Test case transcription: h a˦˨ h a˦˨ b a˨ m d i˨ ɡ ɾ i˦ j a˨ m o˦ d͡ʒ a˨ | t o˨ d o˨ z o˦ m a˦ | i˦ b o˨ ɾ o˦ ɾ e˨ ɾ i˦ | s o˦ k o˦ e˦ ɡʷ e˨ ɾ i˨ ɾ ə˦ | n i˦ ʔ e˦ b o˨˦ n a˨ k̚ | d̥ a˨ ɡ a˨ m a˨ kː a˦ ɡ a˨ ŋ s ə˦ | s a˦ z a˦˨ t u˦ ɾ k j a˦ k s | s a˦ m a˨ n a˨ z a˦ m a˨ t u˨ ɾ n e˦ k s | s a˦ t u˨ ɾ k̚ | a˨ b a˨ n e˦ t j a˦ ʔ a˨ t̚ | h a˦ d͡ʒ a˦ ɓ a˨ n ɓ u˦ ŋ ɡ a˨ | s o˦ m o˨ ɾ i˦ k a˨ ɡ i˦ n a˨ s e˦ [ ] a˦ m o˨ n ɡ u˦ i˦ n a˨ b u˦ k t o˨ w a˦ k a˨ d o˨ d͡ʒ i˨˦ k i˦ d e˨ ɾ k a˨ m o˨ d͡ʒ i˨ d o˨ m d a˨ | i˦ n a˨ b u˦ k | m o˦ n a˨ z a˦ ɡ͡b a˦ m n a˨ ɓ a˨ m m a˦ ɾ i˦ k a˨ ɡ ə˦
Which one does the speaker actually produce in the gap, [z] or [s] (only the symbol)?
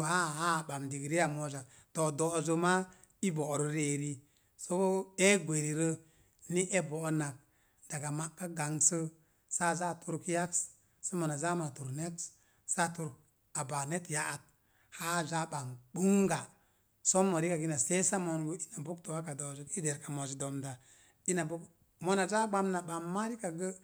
s